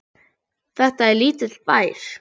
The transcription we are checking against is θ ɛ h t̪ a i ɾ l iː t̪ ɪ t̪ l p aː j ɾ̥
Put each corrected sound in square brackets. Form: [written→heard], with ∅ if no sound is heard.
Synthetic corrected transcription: θ ɛ h t̪ a [i→ɛ] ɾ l iː t̪ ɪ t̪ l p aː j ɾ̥